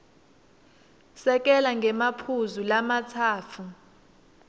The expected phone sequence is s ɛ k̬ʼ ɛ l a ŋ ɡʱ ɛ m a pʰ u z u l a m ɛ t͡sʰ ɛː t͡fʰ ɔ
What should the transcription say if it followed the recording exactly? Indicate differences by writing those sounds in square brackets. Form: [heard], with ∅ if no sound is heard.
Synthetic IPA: s ɛ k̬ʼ ɛ l a ŋ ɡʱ ɛ m a pʰ u z u l a m [a] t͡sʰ [aː] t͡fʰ [u]